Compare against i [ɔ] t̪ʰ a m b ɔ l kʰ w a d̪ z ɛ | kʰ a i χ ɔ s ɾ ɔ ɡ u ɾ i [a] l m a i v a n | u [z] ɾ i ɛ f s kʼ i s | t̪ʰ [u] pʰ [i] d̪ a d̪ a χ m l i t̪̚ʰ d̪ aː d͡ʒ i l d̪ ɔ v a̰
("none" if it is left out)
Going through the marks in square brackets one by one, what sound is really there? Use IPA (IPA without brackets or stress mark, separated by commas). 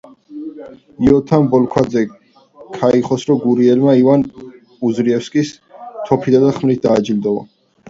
ɔ, ɛ, z, ɔ, i